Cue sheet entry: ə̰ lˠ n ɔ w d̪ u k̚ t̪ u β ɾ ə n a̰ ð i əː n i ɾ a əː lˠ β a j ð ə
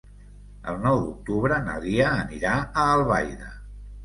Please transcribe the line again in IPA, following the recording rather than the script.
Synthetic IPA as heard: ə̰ lˠ n ɔ w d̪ u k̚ t̪ u β ɾ ə n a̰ ð i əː n i ɾ a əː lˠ β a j ð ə